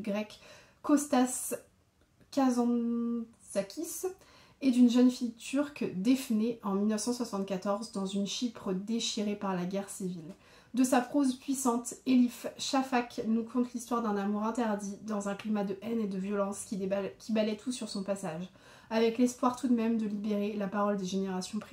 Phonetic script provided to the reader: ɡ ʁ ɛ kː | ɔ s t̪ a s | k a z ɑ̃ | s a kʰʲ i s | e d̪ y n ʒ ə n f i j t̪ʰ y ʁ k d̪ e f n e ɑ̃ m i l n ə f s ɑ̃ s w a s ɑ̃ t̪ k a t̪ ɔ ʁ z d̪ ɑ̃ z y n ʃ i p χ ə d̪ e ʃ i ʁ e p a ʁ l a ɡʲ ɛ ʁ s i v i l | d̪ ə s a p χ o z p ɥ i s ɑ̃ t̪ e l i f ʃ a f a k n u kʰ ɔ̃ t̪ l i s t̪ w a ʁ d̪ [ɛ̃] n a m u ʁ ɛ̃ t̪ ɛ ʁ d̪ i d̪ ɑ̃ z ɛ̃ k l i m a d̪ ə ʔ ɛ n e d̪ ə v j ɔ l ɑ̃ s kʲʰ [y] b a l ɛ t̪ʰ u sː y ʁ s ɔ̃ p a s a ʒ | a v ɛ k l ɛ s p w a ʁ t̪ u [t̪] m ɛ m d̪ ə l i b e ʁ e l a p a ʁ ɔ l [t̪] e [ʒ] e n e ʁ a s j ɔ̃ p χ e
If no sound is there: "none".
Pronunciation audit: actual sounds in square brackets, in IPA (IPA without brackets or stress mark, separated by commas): ɛ̃, i, d̪, d̪, ʒ